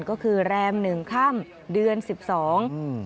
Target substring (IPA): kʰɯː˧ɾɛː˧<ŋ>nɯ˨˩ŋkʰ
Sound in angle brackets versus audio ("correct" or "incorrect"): incorrect